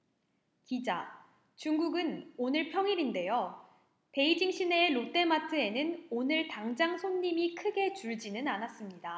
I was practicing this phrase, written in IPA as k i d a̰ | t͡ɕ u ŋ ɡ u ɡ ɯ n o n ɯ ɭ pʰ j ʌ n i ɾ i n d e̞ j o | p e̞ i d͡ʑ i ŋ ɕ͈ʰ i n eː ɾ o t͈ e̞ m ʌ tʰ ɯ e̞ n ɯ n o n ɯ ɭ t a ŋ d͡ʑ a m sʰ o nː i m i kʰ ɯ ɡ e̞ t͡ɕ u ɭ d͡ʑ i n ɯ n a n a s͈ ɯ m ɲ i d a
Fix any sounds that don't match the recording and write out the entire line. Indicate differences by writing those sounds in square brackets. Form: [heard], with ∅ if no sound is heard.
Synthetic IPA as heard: k i [d͡ʑ] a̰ | t͡ɕ u ŋ ɡ u ɡ ɯ n o n ɯ ɭ pʰ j ʌ [ŋ] i ɾ i n d e̞ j o | p e̞ i d͡ʑ i ŋ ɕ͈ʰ i n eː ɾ o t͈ e̞ m [a] tʰ ɯ e̞ n ɯ n o n ɯ ɭ t a ŋ d͡ʑ a [ŋ] sʰ o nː i m i kʰ ɯ ɡ e̞ t͡ɕ u ɭ d͡ʑ i n ɯ n a n a s͈ ɯ m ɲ i d a

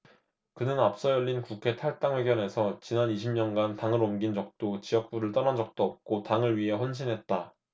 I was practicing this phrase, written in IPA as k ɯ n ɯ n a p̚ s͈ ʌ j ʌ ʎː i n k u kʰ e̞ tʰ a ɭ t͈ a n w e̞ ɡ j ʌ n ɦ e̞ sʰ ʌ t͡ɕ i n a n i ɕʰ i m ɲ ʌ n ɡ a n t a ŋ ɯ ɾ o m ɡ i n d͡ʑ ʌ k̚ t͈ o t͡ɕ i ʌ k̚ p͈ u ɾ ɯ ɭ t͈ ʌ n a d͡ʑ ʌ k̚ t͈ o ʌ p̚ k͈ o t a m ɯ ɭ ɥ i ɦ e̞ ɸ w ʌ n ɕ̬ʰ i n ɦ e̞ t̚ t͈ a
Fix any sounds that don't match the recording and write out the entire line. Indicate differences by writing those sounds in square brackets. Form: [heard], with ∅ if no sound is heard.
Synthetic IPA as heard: k ɯ n ɯ n a p̚ s͈ ʌ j ʌ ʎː i n k u kʰ e̞ tʰ a ɭ t͈ a [ŋ] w e̞ ɡ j ʌ n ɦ e̞ sʰ ʌ t͡ɕ i n a n i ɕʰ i m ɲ ʌ n ɡ a n t a ŋ ɯ ɾ o m ɡ i n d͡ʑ ʌ k̚ t͈ o t͡ɕ i ʌ k̚ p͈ u ɾ ɯ ɭ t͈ ʌ n a d͡ʑ ʌ k̚ t͈ o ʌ p̚ k͈ o t a [ŋ] ɯ ɭ ɥ i ɦ e̞ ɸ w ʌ n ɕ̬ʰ i n ɦ e̞ t̚ t͈ a

